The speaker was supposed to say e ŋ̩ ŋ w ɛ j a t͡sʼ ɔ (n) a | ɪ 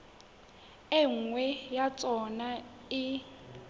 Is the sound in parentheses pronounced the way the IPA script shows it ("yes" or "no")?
yes